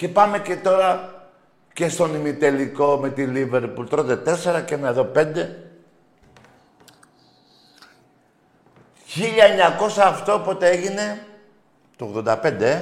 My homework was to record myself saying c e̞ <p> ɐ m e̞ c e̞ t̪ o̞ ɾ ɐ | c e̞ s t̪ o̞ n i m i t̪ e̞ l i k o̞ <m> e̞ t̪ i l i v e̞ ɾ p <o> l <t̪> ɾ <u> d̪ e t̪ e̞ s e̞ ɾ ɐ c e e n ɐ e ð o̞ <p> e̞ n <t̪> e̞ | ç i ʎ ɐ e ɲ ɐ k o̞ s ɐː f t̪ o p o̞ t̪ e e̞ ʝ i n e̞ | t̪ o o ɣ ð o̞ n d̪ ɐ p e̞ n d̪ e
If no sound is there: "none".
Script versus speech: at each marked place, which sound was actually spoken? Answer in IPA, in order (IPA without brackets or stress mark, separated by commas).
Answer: p, m, u, t̪, o, p, d̪